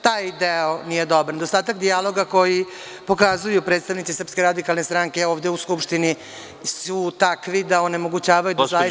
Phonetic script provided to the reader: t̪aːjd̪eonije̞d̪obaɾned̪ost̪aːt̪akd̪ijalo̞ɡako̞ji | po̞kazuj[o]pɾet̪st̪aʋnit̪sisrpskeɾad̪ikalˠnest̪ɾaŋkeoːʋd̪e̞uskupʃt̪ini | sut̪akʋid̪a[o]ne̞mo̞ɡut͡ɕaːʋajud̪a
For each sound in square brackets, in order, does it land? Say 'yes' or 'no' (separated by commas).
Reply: no, yes